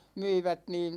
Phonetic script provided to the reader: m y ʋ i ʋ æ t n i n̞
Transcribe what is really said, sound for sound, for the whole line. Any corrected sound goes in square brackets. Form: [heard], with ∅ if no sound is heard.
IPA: m y [∅] i ʋ æ t n [iː] n̞